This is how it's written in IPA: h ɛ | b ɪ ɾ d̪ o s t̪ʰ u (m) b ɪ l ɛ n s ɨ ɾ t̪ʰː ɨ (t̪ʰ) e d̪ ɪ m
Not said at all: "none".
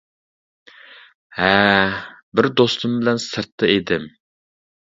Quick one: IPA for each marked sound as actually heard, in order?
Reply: m, none

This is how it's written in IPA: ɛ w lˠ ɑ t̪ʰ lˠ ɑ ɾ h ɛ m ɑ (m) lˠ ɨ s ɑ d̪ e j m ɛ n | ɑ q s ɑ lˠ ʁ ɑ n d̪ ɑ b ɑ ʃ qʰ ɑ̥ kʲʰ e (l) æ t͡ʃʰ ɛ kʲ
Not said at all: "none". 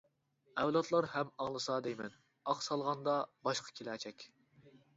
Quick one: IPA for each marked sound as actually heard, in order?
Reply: ŋ, l

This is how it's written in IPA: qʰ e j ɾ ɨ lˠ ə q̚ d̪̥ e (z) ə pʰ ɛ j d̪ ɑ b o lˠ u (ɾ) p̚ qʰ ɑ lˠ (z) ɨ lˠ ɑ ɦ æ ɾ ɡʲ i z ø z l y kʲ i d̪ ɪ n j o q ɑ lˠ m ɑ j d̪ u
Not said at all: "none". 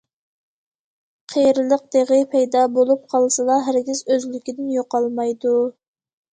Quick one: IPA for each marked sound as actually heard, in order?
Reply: ʁ, none, s

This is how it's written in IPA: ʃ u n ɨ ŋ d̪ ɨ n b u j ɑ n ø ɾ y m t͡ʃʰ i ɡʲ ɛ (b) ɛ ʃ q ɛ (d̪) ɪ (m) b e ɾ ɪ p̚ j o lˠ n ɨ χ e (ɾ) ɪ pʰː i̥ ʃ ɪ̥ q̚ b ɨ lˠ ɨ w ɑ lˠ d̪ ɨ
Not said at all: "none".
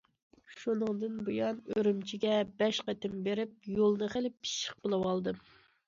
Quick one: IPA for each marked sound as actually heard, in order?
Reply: b, t̪, m, l

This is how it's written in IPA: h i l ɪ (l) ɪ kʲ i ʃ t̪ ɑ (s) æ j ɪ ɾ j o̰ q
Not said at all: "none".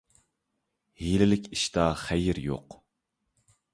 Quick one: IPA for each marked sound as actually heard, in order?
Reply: l, χ

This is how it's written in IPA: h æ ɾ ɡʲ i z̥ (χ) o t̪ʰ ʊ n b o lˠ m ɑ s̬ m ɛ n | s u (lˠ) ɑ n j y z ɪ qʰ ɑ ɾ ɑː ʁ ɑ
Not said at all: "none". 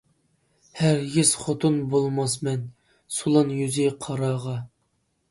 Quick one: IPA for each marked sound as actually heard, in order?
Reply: χ, lˠ

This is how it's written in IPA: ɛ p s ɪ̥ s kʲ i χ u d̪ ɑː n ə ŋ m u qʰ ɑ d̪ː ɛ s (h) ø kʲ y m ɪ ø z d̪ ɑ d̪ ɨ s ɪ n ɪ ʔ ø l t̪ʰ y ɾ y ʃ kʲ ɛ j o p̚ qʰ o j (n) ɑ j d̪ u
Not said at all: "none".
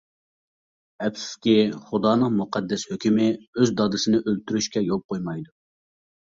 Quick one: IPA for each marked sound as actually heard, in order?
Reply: h, m

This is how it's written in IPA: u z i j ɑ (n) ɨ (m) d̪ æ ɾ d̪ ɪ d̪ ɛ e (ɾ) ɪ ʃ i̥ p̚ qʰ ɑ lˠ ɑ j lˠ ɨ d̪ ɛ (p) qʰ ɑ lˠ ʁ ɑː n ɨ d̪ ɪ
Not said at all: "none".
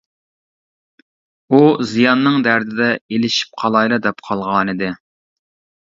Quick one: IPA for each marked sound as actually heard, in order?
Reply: nː, ŋ, l, p

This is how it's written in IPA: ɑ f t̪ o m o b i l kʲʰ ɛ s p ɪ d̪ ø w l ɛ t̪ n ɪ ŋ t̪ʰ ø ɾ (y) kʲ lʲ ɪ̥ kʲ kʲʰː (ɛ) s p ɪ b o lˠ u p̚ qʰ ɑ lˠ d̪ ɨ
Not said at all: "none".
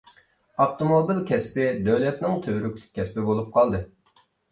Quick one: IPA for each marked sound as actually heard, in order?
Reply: y, ɛ

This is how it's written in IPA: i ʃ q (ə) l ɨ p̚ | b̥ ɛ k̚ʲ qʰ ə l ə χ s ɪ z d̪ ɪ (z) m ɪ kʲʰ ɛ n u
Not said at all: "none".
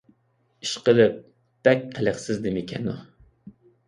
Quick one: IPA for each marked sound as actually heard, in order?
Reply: ə, none

